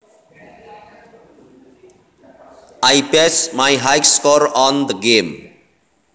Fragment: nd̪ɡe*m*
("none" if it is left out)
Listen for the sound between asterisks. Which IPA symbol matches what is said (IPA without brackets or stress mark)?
m